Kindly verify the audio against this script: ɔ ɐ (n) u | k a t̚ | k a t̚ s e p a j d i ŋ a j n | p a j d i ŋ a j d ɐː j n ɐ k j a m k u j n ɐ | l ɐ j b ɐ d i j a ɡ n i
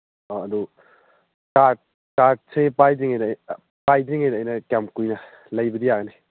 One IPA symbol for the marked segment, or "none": d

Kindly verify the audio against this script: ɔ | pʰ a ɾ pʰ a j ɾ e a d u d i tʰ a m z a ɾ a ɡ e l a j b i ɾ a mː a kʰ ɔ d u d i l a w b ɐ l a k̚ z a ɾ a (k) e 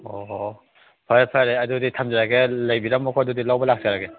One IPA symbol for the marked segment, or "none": ɡ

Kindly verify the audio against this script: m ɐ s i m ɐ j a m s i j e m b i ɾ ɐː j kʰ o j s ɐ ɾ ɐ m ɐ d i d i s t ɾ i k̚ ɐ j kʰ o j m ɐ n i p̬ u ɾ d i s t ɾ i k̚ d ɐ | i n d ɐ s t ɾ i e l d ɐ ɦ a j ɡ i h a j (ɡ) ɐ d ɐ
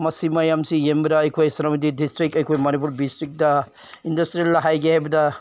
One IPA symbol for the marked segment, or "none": b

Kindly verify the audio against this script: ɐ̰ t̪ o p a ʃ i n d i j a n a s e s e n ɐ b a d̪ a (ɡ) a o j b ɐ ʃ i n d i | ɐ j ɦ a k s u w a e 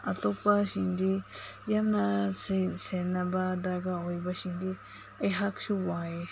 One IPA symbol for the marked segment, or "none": ɡ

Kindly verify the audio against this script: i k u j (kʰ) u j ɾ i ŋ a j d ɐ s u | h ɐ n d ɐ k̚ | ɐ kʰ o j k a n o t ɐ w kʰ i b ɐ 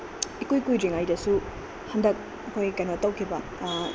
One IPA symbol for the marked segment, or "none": k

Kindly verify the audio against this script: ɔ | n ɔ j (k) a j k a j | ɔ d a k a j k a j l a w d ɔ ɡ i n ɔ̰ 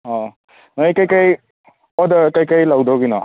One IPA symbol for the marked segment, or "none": k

